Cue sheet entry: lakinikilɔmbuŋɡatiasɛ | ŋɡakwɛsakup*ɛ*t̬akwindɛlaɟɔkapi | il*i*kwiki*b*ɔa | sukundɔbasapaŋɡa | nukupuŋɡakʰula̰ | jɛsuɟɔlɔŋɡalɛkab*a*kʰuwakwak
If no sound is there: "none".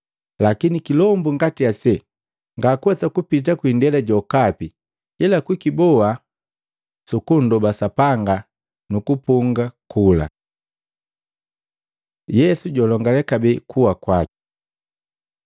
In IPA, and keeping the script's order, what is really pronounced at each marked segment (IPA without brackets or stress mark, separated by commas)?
i, a, b, ɛ